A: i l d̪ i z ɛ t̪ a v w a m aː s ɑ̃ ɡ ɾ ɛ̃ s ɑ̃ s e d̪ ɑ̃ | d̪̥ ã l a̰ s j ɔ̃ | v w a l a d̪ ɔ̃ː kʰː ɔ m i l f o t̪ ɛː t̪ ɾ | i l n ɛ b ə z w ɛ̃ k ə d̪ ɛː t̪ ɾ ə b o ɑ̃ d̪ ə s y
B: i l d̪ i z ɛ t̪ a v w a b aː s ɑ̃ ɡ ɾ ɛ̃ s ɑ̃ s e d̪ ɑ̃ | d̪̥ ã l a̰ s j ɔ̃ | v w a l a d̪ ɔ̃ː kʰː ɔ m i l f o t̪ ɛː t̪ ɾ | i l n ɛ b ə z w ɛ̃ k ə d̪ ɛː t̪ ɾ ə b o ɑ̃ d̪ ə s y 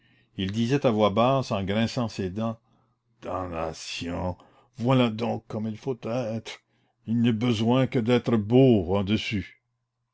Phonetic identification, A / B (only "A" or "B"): B